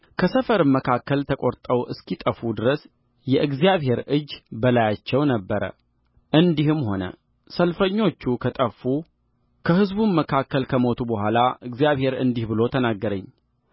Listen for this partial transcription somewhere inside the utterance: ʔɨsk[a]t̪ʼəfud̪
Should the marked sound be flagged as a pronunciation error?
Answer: yes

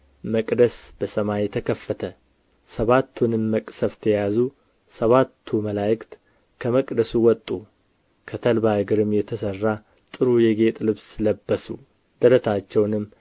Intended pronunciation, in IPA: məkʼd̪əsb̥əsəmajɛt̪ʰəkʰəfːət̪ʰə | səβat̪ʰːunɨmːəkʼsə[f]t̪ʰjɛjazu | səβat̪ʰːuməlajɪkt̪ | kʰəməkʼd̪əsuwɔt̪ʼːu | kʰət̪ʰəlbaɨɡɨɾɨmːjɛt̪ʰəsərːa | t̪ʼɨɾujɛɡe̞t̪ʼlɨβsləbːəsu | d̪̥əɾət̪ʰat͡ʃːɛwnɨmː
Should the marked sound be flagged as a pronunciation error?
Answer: no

